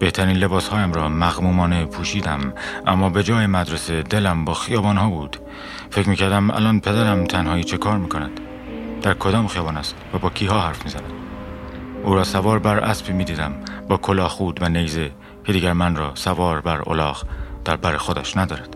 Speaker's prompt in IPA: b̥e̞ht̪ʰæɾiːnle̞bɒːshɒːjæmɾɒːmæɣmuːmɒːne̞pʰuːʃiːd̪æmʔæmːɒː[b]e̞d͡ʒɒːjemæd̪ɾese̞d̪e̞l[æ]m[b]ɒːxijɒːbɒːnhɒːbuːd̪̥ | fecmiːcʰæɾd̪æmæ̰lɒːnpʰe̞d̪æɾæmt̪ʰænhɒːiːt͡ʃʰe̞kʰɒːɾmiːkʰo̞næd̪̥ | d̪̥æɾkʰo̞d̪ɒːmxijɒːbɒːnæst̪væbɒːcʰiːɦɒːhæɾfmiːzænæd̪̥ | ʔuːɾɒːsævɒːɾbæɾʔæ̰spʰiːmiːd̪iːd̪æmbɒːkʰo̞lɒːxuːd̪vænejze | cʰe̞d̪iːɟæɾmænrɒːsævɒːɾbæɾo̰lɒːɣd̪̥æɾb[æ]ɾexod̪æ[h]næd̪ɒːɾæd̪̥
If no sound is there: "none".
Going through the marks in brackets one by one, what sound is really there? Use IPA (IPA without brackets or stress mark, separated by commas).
b, æ, b, æ, ʃ